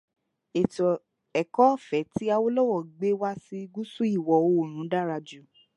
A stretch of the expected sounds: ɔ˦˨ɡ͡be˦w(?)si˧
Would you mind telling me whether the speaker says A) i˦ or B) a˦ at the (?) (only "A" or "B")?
B